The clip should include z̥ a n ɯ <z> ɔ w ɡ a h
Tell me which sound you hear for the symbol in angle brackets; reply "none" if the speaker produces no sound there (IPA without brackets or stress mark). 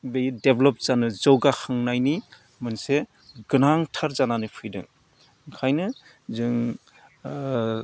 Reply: z